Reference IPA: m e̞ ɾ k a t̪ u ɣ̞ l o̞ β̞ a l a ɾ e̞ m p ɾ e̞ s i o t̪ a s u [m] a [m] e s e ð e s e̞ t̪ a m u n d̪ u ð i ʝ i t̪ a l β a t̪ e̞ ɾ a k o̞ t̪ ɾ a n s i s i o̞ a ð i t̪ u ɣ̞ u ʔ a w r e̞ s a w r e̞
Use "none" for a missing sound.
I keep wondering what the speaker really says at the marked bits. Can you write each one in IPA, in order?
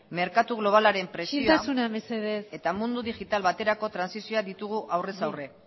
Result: n, m

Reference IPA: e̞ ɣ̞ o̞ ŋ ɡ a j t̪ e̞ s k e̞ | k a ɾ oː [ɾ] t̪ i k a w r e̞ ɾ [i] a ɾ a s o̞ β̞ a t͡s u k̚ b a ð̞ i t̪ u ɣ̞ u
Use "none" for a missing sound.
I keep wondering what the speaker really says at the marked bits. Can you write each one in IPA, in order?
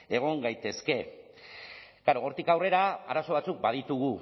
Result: ɾ, a

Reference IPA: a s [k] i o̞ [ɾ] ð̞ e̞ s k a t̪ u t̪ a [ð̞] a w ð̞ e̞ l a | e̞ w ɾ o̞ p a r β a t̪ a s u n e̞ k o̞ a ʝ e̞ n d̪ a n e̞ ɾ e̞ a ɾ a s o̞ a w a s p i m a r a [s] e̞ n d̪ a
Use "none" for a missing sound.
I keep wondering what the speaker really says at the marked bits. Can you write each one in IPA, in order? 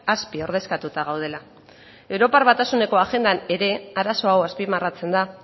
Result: p, ɾ, ɣ̞, t͡s

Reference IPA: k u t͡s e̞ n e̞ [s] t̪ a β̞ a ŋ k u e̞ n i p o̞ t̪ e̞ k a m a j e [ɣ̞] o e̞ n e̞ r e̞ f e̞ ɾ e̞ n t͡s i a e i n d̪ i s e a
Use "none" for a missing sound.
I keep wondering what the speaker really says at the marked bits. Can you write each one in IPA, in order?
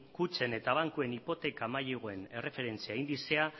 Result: none, ɣ̞

